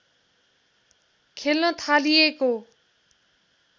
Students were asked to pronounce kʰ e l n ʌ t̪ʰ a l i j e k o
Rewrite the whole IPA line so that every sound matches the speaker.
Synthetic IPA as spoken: kʰ e l n ʌ t̪ʰ a l i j e k o